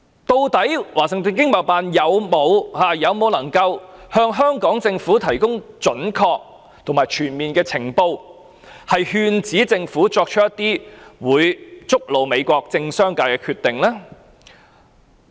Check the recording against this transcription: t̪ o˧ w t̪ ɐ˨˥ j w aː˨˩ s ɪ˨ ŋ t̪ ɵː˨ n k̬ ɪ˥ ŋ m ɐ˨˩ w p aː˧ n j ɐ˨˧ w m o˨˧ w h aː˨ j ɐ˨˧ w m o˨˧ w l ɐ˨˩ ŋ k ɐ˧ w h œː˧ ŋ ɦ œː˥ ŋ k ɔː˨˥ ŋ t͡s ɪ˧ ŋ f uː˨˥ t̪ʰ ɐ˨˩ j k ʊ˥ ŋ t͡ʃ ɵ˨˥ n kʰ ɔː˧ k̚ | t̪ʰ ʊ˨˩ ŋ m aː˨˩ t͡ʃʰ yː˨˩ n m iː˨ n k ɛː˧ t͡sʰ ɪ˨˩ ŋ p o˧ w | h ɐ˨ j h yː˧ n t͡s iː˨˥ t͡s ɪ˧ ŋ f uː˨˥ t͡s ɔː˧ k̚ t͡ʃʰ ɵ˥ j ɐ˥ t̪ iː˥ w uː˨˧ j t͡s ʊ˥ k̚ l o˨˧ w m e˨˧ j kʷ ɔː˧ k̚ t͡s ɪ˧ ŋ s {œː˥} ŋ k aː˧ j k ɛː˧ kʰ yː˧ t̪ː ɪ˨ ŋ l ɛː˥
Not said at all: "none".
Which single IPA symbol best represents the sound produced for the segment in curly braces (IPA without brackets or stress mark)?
œː˥